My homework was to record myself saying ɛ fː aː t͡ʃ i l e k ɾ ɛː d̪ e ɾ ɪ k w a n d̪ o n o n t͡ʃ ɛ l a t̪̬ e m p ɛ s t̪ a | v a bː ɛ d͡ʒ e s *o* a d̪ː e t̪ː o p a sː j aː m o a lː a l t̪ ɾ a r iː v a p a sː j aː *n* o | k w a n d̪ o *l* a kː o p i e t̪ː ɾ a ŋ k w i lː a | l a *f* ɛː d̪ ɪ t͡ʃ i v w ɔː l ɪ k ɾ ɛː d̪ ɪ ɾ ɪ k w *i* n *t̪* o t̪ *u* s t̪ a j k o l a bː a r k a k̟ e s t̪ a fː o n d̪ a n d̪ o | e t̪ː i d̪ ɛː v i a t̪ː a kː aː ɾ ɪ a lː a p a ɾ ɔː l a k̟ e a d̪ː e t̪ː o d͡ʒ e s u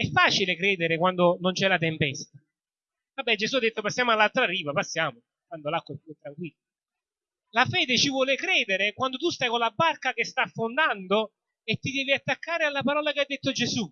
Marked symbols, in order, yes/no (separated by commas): no, no, yes, yes, no, no, yes